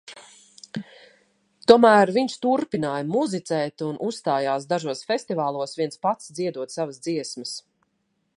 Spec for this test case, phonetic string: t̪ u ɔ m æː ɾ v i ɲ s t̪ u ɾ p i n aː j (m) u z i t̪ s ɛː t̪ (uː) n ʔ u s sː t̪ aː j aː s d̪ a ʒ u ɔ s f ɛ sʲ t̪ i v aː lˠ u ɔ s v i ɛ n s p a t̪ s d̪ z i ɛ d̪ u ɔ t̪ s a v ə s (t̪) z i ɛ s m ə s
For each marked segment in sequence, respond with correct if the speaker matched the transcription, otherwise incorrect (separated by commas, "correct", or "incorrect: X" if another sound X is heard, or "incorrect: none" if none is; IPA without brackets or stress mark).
correct, incorrect: u, incorrect: d̪